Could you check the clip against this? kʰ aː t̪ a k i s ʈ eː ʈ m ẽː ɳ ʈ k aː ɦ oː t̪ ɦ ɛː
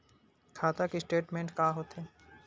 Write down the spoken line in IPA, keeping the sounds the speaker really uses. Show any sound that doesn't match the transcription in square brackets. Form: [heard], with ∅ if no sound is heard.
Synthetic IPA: kʰ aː t̪ a k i s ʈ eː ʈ m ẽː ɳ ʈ k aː ɦ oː t̪ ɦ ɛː